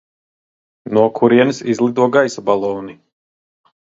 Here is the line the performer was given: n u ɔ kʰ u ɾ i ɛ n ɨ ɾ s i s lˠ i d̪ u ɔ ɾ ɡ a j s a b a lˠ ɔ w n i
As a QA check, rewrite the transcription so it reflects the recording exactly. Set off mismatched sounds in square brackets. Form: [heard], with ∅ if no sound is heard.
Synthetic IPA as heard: n u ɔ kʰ u ɾ i ɛ n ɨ [∅] s i [z] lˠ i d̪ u ɔ [∅] ɡ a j s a b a lˠ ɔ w n i

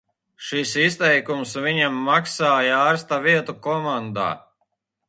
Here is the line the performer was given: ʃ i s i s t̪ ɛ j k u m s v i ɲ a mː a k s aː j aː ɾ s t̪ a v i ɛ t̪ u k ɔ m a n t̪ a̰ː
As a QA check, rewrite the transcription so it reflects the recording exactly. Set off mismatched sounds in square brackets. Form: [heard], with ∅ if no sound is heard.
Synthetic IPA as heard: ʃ i s i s t̪ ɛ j k u m s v i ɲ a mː a k s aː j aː ɾ s t̪ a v i ɛ t̪ u k ɔ m a n [d̪] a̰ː

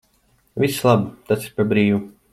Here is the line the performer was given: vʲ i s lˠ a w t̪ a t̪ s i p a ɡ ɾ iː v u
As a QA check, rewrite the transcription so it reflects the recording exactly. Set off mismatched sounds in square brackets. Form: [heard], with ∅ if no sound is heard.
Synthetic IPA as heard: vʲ i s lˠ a [b] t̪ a t̪ s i p a [b] ɾ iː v u

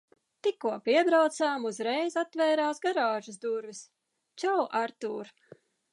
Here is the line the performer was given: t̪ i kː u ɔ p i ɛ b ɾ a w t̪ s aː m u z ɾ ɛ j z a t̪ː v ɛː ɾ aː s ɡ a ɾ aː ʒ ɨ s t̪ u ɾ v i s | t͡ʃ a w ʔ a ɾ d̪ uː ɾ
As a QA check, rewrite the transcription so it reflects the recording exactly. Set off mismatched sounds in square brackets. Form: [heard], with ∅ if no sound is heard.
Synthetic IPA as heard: t̪ i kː u ɔ p i ɛ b ɾ a w t̪ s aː m u z ɾ ɛ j z a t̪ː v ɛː ɾ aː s ɡ a ɾ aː ʒ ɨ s [d̪] u ɾ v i s | t͡ʃ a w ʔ a ɾ [t̪] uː ɾ

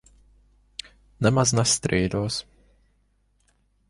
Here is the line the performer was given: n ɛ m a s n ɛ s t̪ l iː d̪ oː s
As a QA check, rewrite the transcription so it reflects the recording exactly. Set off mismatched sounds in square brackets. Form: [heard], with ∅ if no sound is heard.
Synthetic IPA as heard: n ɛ m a [z] n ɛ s t̪ [ɾ] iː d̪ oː s

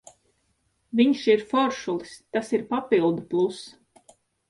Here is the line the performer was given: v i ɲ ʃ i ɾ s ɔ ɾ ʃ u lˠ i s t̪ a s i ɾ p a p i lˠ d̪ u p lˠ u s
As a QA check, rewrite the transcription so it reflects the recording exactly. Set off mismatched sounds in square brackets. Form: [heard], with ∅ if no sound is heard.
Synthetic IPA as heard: v i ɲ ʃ i ɾ [f] ɔ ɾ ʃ u lˠ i s t̪ a s i ɾ p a p i lˠ d̪ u p lˠ u s

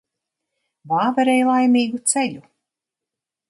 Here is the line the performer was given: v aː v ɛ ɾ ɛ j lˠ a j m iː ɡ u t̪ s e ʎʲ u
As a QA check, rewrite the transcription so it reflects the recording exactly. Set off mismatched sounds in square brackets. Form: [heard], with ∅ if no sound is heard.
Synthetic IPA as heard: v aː v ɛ ɾ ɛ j lˠ a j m iː ɡ u t̪ s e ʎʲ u

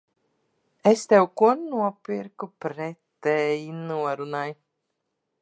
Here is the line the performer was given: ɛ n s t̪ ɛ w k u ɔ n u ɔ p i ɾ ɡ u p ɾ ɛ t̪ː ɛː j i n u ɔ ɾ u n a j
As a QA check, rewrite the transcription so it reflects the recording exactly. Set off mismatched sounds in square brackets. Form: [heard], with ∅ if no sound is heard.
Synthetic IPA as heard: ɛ [∅] s t̪ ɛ w k u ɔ n u ɔ p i ɾ [k] u p ɾ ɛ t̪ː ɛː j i n u ɔ ɾ u n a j

